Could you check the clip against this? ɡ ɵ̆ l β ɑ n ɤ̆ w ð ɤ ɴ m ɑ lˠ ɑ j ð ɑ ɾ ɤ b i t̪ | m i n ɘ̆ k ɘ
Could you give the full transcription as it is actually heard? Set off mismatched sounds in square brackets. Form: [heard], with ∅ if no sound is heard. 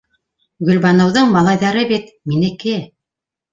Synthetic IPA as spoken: ɡ ɵ̆ l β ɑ n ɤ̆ w ð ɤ ɴ m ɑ lˠ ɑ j ð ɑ ɾ ɤ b i t̪ | m i n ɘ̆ k ɘ